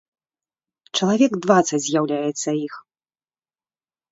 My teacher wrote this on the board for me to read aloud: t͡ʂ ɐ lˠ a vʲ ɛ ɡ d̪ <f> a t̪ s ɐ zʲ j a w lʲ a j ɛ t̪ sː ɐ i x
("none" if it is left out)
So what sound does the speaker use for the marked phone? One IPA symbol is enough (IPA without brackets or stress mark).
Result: v